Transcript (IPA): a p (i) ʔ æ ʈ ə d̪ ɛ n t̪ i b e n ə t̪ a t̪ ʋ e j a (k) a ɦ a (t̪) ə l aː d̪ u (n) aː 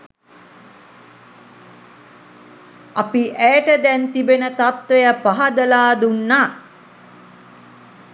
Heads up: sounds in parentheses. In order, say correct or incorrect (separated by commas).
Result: correct, incorrect, incorrect, incorrect